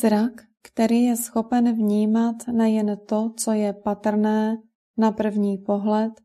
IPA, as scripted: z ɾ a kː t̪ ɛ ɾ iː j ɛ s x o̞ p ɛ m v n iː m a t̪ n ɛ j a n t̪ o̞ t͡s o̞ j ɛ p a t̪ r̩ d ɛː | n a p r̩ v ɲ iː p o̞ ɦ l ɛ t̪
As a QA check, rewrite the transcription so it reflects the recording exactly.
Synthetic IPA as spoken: z ɾ a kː t̪ ɛ ɾ iː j ɛ s x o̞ p ɛ n v ɲ iː m a t̪ n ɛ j ɛ n t̪ o̞ t͡s o̞ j ɛ p a t̪ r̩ n ɛː | n a p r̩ v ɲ iː p o̞ ɦ l ɛ t̪